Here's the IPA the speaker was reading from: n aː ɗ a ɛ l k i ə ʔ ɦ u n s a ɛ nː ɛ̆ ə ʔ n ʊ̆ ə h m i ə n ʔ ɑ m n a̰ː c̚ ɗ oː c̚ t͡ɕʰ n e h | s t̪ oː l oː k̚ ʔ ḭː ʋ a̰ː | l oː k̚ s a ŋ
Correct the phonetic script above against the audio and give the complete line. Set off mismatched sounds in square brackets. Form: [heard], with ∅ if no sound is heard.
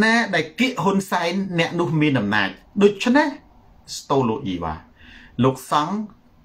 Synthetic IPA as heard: n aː ɗ a ɛ l k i ə ʔ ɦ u n s a ɛ nː ɛ̆ ə ʔ n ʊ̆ ə h m i ə n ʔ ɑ m n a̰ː c̚ ɗ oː c̚ t͡ɕʰ n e h | s t̪ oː l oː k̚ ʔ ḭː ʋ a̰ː | l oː k̚ s [ɑ] ŋ